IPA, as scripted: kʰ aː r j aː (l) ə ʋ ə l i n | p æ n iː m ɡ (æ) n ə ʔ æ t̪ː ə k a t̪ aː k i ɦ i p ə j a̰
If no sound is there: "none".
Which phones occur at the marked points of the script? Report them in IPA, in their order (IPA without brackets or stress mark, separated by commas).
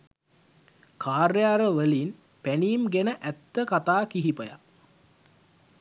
ɾ, e